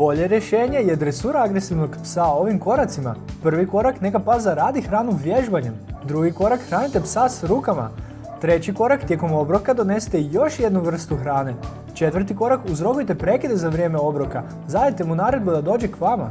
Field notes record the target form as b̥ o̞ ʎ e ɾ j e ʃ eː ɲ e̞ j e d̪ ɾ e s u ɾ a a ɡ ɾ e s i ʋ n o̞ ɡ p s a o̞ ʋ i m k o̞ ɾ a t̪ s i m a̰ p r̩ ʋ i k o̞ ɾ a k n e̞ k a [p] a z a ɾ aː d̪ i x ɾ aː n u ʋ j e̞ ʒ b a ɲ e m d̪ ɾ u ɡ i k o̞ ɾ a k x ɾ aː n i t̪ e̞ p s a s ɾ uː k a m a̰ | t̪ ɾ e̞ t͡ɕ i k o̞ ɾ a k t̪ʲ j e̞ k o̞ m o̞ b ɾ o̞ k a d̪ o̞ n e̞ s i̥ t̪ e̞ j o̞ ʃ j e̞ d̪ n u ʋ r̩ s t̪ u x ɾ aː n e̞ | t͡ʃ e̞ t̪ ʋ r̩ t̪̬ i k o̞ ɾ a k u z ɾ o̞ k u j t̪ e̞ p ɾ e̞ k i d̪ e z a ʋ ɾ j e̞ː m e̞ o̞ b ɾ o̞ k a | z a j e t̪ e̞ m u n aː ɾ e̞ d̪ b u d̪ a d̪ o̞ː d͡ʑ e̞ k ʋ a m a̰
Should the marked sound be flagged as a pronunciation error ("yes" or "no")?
no